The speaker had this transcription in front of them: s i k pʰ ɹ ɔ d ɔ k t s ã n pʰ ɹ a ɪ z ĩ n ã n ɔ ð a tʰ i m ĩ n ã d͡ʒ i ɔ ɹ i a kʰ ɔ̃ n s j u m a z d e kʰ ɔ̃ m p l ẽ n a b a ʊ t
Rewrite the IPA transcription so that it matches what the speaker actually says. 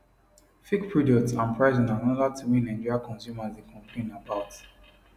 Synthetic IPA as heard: f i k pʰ ɹ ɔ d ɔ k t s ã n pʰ ɹ a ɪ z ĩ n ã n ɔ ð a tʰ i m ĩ n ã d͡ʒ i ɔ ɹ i a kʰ ɔ̃ n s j u m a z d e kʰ ɔ̃ m p l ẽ n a b a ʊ t